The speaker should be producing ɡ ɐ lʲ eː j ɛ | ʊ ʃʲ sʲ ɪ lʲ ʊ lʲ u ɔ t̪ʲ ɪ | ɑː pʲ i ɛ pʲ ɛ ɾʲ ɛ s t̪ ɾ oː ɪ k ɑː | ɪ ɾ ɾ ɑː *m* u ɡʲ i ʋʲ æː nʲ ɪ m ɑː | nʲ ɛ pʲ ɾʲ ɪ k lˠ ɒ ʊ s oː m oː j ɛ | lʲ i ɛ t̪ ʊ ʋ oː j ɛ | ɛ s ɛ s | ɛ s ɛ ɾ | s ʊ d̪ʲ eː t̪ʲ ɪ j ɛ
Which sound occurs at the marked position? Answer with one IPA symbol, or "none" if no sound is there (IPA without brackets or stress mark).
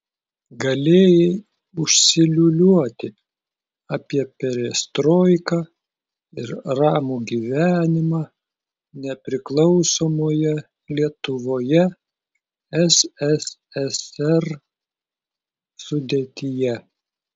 m